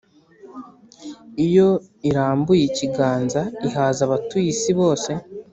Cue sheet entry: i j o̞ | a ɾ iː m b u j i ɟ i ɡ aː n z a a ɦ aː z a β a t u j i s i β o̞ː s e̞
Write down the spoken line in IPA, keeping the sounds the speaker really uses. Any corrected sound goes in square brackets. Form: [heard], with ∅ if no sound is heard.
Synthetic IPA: i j o̞ | [i] ɾ [aː] m b u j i [c] i ɡ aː n z a [i] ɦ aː z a β a t u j i s i β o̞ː s e̞